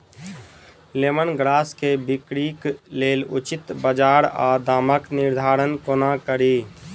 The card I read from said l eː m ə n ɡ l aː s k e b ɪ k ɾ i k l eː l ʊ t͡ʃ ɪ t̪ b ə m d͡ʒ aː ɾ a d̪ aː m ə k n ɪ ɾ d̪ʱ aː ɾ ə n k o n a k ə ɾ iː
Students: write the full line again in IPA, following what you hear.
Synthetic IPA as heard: l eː m ə n ɡ ɾ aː s k e b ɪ k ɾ i k l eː l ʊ t͡ʃ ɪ t̪ b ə d͡ʒ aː ɾ a d̪ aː m ə k n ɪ ɾ d̪ʱ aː ɾ ə n k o n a k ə ɾ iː

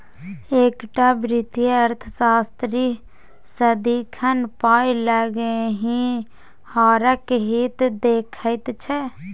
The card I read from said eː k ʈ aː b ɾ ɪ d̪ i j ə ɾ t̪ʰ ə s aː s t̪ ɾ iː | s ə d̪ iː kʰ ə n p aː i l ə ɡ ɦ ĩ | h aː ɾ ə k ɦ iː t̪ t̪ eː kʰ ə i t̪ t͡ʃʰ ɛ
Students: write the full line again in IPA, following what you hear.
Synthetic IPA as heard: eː k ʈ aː b ɾ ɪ t̪ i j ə ɾ t̪ʰ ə s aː s t̪ ɾ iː | s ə d̪ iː kʰ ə n p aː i l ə ɡ ɦ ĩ | h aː ɾ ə k ɦ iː t̪ d̪ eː kʰ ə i t̪ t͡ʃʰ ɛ

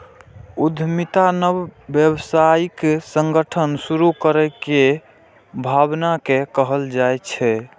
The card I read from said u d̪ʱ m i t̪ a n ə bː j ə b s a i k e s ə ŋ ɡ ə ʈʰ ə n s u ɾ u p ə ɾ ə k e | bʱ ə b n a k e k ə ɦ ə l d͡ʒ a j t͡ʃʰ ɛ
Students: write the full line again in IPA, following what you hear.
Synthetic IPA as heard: u d̪ʱ m i t̪ a n ə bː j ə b s a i k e s ə ŋ ɡ ə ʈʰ ə n s u ɾ u k ə ɾ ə k e | bʱ a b n a k e k ə ɦ ə l d͡ʒ a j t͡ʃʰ ɛ

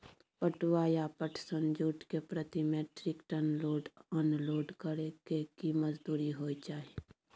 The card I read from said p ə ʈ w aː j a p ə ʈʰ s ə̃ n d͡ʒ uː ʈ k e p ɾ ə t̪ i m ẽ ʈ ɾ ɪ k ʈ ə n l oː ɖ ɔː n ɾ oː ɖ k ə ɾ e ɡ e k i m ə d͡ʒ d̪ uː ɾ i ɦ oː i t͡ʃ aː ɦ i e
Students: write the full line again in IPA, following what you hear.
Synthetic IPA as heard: p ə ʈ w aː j a p ə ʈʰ s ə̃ n d͡ʒ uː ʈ k e p ɾ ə t̪ i m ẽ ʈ ɾ ɪ k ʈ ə n l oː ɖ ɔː n l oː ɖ k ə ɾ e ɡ e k i m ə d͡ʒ d̪ uː ɾ i ɦ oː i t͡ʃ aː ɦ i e

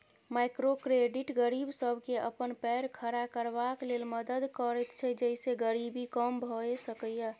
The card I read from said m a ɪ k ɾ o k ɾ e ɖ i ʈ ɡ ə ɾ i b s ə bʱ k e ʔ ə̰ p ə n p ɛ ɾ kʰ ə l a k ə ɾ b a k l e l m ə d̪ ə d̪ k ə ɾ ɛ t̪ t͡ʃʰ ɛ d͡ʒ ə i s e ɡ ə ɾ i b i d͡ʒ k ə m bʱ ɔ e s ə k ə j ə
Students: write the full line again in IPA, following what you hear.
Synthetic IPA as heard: m a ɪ k ɾ o k ɾ e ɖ i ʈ ɡ ə ɾ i b s ə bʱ k e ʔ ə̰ p ə n p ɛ ɾ kʰ ə ɾ a k ə ɾ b a k l e l m ə d̪ ə d̪ k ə ɾ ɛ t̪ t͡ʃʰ ɛ d͡ʒ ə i s e ɡ ə ɾ i b i k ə m bʱ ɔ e s ə k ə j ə

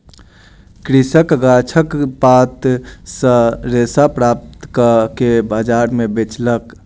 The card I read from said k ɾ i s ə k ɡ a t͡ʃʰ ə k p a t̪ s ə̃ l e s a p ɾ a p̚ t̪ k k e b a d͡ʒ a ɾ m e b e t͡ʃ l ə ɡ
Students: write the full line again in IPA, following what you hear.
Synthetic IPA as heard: k ɾ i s ə k ɡ a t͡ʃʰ ə k p a t̪ s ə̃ ɾ e s a p ɾ a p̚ t̪ k k e b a d͡ʒ a ɾ m e b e t͡ʃ l ə k

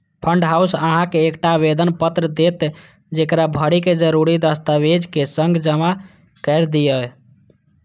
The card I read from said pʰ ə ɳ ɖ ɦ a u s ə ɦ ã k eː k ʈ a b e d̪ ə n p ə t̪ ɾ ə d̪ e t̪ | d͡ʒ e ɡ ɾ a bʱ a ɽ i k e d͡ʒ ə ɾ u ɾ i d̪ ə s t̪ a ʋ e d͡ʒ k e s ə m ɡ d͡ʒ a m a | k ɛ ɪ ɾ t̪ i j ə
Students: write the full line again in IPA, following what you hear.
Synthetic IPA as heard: pʰ ə ɳ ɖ ɦ a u s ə ɦ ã k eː k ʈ a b e d̪ ə n p ə t̪ ɾ ə d̪ e t̪ | d͡ʒ e k ɾ a bʱ ə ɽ i k e d͡ʒ ə ɾ u ɾ i d̪ ə s t̪ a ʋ e d͡ʒ k e s ə ŋ ɡ d͡ʒ ə m a | k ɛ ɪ ɾ d̪ i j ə

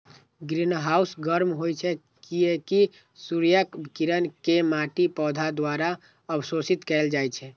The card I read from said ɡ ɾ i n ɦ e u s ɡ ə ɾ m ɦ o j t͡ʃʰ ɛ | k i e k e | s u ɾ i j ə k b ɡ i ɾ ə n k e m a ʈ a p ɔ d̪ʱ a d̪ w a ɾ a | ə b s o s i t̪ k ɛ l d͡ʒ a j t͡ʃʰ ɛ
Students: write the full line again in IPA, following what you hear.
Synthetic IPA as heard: ɡ ɾ i n ɦ a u s ɡ ə ɾ m ɦ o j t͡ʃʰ ɛ | k i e k i | s u ɾ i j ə k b k i ɾ ə n k e m a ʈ i p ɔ d̪ʱ a d̪ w a ɾ a | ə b s o s i t̪ k ɛ l d͡ʒ a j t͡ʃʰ ɛ

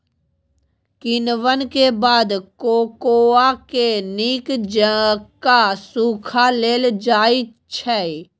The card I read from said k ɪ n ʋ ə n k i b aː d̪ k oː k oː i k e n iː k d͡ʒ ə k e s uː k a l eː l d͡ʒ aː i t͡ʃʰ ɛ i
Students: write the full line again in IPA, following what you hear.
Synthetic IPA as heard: k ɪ n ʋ ə n k e b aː d̪ k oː k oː a k e n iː k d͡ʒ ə k a s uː kʰ a l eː l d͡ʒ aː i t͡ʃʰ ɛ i

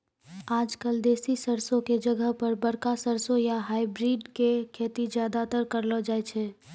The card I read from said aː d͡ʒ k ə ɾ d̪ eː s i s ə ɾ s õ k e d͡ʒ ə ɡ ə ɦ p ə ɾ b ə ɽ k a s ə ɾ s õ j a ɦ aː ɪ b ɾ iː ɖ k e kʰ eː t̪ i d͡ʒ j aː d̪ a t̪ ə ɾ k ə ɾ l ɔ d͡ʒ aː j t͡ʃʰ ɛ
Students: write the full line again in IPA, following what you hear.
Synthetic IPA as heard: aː d͡ʒ k ə l d̪ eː s i s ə ɾ s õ k e d͡ʒ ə ɡ ə ɦ p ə ɾ b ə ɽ k a s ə ɾ s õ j a ɦ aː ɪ b ɾ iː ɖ k e kʰ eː t̪ i d͡ʒ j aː d̪ a t̪ ə ɾ k ə ɾ l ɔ d͡ʒ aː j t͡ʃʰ ɛ

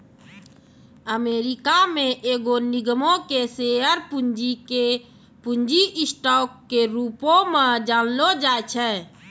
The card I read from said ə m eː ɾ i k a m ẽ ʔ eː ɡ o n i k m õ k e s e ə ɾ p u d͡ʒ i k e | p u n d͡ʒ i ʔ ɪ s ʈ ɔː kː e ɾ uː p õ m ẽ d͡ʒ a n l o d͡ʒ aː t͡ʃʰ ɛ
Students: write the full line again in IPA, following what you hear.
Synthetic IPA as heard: ə m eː ɾ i k a m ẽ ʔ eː ɡ o n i ɡ m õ k e s e ə ɾ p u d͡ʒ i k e | p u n d͡ʒ i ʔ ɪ s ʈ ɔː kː e ɾ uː p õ m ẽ d͡ʒ a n l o d͡ʒ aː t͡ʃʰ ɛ

